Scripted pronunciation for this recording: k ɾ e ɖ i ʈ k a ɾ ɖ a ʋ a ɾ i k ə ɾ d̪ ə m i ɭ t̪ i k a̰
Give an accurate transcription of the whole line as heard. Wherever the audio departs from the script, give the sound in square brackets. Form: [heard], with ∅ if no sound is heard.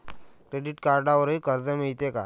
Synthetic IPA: k ɾ e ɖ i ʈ k a ɾ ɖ a ʋ [ə] ɾ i k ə ɾ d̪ ə m i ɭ t̪ [e] k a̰